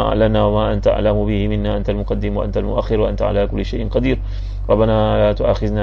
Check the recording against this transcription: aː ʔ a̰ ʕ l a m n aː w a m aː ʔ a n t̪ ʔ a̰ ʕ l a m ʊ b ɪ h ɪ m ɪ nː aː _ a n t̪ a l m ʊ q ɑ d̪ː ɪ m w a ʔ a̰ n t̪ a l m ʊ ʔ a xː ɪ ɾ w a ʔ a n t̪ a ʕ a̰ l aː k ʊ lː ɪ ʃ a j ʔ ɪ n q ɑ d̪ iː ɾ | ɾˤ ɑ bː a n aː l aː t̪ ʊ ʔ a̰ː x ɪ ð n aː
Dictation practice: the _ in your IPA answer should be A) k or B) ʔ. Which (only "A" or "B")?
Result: B